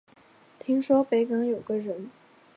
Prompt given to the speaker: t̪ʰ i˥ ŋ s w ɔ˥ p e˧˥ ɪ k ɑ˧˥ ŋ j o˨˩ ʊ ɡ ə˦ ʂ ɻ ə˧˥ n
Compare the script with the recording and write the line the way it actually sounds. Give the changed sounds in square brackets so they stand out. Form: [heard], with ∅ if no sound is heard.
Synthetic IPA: t̪ʰ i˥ ŋ [ʂ] w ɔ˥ p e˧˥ ɪ k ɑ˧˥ ŋ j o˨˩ ʊ ɡ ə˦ [∅] ɻ ə˧˥ n

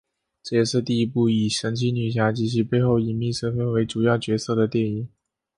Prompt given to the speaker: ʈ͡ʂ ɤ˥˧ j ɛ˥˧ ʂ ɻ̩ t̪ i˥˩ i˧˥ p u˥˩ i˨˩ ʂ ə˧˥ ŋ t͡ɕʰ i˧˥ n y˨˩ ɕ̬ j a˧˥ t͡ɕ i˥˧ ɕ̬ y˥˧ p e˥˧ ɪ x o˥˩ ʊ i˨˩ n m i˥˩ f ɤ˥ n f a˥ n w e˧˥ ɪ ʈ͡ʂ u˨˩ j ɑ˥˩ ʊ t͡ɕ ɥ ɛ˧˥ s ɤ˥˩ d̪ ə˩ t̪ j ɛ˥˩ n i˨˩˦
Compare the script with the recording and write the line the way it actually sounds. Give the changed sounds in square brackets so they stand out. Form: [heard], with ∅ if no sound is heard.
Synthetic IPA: ʈ͡ʂ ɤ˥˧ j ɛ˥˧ ʂ ɻ̩ t̪ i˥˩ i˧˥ p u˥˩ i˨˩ ʂ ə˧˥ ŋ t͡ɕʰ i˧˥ n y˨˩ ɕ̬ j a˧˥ t͡ɕ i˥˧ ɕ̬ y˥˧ p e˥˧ ɪ x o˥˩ ʊ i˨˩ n m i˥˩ [ʂ] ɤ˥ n f [ə˥] n w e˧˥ ɪ ʈ͡ʂ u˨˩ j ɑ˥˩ ʊ t͡ɕ ɥ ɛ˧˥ s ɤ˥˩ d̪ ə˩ t̪ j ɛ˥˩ n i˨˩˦

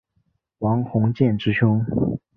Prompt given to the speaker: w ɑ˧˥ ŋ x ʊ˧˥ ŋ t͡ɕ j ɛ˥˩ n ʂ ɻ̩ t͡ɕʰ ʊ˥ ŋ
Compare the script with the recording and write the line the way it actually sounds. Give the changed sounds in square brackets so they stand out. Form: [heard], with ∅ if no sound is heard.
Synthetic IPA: w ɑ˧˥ ŋ x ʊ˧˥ ŋ t͡ɕ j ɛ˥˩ n [ʈ͡ʂ] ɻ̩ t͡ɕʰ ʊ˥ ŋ

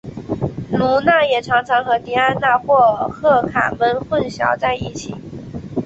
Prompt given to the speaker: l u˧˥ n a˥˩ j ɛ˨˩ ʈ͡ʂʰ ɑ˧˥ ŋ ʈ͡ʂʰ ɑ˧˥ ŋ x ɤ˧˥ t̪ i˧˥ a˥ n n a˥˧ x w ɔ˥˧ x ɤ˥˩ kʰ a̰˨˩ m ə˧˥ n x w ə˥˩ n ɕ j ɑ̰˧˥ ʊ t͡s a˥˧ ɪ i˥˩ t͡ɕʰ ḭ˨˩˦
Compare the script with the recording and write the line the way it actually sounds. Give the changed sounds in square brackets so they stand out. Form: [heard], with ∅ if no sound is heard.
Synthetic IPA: l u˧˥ n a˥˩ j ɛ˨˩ ʈ͡ʂʰ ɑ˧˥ ŋ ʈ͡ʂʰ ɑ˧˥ ŋ x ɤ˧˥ t̪ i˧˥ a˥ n n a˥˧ x w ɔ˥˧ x ɤ˥˩ kʰ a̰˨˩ m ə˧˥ n x w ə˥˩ n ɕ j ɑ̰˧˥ ʊ t͡s a˥˧ ɪ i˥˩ t͡ɕʰ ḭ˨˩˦

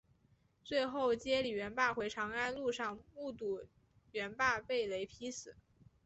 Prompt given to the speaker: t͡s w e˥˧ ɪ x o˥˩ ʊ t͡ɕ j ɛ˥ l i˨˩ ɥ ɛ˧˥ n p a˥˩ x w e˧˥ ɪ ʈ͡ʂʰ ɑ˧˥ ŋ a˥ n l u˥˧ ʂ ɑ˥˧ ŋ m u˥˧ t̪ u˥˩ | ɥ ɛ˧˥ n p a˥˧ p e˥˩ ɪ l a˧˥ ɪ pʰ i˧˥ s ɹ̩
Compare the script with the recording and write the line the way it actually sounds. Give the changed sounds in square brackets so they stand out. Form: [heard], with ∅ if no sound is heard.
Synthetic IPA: t͡s w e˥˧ ɪ x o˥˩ ʊ t͡ɕ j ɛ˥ l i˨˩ ɥ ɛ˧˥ n p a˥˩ x w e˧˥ ɪ ʈ͡ʂʰ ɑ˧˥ ŋ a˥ n l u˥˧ ʂ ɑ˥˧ ŋ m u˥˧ t̪ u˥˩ | ɥ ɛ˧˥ n p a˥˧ p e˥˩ ɪ l [e˧˥] ɪ pʰ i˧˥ s ɹ̩

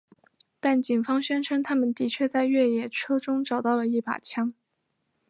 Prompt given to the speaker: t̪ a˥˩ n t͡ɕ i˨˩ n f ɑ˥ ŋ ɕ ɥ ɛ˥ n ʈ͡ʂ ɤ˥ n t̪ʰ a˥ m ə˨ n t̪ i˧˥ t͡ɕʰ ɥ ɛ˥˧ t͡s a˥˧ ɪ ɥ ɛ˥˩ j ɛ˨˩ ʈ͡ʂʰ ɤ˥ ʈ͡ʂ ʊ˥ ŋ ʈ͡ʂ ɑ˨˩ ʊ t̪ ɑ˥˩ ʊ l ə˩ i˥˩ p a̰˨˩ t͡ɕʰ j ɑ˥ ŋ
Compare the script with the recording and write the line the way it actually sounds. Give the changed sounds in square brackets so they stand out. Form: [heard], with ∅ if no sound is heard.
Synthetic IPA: t̪ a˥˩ n t͡ɕ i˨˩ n f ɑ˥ ŋ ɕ ɥ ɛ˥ n [ʈ͡ʂʰ] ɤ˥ n t̪ʰ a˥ m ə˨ n t̪ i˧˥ t͡ɕʰ ɥ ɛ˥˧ t͡s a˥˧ ɪ ɥ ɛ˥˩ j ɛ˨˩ ʈ͡ʂʰ ɤ˥ ʈ͡ʂ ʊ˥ ŋ ʈ͡ʂ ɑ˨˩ ʊ t̪ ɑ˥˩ ʊ l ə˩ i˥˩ p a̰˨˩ t͡ɕʰ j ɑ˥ ŋ

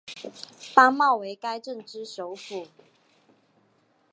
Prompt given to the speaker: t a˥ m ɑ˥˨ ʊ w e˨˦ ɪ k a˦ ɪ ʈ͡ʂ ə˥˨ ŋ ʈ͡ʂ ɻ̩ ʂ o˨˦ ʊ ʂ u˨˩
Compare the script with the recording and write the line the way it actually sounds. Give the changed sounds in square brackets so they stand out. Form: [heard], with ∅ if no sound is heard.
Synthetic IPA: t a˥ m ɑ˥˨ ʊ w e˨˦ ɪ k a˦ ɪ ʈ͡ʂ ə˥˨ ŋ ʈ͡ʂ ɻ̩ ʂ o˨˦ ʊ [f] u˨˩

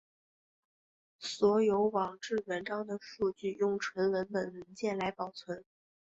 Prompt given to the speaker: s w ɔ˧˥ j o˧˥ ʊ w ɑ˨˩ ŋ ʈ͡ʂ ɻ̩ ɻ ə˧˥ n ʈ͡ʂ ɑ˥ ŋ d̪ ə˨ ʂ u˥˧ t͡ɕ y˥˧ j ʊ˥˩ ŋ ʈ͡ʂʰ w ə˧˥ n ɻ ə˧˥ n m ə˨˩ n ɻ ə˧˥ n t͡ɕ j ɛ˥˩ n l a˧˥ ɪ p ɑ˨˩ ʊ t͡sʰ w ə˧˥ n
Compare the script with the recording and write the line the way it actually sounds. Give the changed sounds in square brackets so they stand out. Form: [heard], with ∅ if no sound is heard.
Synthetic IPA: s w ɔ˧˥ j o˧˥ ʊ w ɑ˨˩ ŋ ʈ͡ʂ ɻ̩ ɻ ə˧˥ n ʈ͡ʂ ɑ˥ ŋ d̪ ə˨ ʂ u˥˧ t͡ɕ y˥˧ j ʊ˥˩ ŋ ʈ͡ʂʰ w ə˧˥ n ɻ ə˧˥ n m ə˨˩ n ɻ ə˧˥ n t͡ɕ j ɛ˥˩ n l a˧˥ ɪ p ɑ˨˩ ʊ t͡sʰ w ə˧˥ n

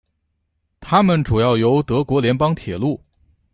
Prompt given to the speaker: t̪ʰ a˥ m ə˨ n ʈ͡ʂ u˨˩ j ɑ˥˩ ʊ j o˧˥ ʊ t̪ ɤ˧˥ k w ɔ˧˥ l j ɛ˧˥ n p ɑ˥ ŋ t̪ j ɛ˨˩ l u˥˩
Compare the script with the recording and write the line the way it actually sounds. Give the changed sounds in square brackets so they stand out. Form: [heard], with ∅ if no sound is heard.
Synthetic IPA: t̪ʰ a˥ m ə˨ n ʈ͡ʂ u˨˩ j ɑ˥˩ ʊ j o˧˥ ʊ t̪ ɤ˧˥ k w ɔ˧˥ l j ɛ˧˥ n p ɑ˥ ŋ [t̪ʰ] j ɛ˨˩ l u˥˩

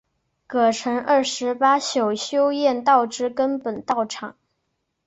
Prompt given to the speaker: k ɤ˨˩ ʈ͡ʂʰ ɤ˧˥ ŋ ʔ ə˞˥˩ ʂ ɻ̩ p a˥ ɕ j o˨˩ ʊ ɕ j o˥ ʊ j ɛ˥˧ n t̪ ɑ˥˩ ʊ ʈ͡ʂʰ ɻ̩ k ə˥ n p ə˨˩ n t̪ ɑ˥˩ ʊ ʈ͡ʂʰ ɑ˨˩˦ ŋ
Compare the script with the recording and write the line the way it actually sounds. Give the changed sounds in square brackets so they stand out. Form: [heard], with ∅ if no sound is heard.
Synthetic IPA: k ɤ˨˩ ʈ͡ʂʰ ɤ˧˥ ŋ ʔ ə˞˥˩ ʂ ɻ̩ p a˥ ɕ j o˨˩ ʊ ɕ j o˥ ʊ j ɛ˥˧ n t̪ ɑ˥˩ ʊ [ʈ͡ʂ] ɻ̩ k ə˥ n p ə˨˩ n t̪ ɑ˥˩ ʊ ʈ͡ʂʰ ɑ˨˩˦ ŋ

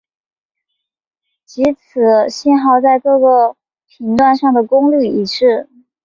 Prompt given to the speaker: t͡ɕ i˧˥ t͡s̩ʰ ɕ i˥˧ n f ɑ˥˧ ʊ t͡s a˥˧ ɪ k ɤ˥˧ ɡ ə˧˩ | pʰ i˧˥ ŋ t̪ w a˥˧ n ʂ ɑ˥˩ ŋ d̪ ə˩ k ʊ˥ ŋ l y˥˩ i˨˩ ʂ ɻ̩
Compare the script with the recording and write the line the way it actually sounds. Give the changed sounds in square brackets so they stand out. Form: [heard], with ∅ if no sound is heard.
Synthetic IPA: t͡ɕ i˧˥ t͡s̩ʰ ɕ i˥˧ n [x] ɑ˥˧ ʊ t͡s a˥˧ ɪ k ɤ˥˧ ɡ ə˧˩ | pʰ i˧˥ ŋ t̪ w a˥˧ n ʂ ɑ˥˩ ŋ d̪ ə˩ k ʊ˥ ŋ l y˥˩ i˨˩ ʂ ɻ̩

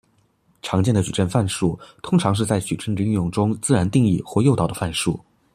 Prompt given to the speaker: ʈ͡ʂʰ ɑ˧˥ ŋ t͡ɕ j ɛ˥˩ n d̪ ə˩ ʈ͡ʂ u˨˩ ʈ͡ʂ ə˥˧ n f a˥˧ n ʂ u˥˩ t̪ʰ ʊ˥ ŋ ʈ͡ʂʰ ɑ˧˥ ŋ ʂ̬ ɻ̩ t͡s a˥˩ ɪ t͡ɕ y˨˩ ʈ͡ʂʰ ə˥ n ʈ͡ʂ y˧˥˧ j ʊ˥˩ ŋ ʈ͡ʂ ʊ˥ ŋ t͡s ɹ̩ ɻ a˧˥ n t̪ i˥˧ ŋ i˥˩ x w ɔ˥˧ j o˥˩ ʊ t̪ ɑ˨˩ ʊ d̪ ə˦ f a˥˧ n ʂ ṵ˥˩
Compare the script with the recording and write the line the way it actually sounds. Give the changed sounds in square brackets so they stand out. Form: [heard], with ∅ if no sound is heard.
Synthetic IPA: ʈ͡ʂʰ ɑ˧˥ ŋ t͡ɕ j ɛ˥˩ n d̪ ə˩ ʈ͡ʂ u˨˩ ʈ͡ʂ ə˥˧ n f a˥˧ n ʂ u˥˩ t̪ʰ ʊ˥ ŋ ʈ͡ʂʰ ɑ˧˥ ŋ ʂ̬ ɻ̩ t͡s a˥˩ ɪ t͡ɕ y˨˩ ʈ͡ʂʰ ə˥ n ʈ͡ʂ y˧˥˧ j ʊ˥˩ ŋ ʈ͡ʂ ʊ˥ ŋ t͡s ɹ̩ ɻ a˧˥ n t̪ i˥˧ ŋ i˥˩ x w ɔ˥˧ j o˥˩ ʊ t̪ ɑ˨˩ ʊ d̪ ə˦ f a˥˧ n ʂ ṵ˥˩

